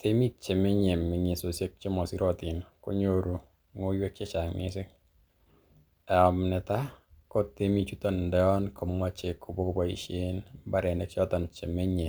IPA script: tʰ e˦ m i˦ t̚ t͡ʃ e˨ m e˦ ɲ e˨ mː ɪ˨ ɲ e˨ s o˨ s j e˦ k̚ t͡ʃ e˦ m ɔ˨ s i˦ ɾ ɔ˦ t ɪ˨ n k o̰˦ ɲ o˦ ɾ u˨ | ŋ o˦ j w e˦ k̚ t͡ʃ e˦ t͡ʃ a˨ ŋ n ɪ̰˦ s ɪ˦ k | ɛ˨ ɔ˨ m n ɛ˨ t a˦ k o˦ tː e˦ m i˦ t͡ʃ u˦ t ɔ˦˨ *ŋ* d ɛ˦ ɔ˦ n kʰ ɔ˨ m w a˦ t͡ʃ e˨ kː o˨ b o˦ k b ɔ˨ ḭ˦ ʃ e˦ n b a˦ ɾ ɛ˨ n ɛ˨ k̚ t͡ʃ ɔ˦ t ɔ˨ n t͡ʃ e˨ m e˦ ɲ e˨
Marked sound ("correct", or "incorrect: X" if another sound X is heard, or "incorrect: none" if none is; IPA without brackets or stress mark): incorrect: n